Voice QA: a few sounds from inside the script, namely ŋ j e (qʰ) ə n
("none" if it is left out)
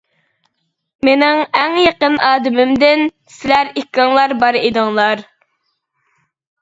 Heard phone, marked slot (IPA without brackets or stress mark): q